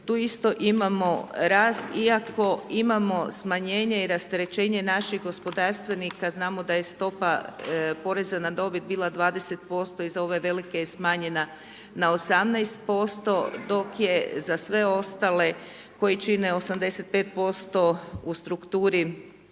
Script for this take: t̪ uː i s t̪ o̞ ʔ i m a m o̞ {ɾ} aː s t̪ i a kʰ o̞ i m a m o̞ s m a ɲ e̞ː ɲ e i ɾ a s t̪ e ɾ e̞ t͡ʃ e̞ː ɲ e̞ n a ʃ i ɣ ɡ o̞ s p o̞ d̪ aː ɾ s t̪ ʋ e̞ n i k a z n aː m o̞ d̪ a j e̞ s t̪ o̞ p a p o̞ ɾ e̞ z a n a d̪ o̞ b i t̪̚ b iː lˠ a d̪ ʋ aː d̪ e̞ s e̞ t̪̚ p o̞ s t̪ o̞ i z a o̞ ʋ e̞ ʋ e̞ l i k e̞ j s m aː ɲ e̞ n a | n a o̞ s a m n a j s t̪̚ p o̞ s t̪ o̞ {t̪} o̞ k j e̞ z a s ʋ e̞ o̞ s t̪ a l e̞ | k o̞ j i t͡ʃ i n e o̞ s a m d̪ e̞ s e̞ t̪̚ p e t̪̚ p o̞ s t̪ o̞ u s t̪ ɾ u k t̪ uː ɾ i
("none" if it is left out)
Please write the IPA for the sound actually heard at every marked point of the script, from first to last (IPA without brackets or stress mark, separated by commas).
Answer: ɾ, d̪